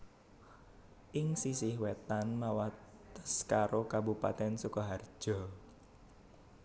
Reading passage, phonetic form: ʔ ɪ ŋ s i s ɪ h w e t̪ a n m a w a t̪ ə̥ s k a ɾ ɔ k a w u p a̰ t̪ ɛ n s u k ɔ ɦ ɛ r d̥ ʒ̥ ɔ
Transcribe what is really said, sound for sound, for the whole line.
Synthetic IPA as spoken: ʔ ɪ ŋ s i s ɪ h w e t̪ a n m a w a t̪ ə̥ s k a ɾ o k a b u p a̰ t̪ ɛ n s u k ɔ ɦ a r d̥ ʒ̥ ɔ